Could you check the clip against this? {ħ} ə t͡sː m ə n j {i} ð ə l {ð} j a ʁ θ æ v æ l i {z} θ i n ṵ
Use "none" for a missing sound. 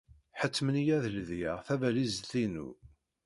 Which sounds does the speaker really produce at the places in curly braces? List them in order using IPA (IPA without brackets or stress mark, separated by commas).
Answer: ħ, æ, ð, z